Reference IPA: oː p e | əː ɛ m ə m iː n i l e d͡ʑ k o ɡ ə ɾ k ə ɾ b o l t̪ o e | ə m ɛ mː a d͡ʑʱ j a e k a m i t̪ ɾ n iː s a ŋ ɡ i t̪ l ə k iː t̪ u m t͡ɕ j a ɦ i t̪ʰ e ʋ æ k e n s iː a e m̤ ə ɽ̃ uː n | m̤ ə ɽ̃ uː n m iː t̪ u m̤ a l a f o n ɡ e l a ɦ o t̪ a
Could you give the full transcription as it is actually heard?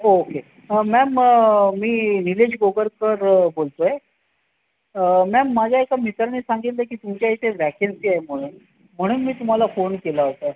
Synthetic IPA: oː k e | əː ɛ m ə m iː n i l e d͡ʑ ɡ o ɡ ə ɾ k ə ɾ b o l t̪ o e | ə m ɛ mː a d͡ʑʱ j a e k a m i t̪ ɾ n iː s a ŋ ɡ i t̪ l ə k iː t̪ u m t͡ɕ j a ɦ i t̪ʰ e ʋ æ k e n s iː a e m̤ ə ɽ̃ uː n | m̤ ə ɽ̃ uː n m iː t̪ u m̤ a l a f o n k e l a ɦ o t̪ a

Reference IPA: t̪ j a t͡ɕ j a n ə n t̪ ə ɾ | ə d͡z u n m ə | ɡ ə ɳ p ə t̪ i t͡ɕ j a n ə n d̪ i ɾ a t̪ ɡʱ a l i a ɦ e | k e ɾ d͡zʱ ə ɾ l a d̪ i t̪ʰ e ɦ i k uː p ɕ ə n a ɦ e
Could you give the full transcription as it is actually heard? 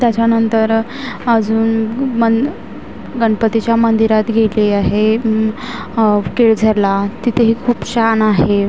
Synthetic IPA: t̪ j a t͡ɕ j a n ə n t̪ ə ɾ | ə d͡z uː n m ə | ɡ ə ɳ p ə t̪ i t͡ɕ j a m ə n d̪ i ɾ a t̪ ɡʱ e l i a ɦ e | k e ɭ d͡zʱ ə ɾ l a t̪ i t̪ʰ e ɦ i kʰ uː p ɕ a n a ɦ e

